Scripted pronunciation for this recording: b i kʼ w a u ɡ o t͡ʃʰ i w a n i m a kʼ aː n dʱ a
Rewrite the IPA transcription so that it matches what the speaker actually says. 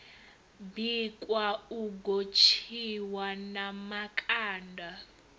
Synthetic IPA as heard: b i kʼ w a u ɡ o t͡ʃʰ i w a n a m a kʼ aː n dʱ a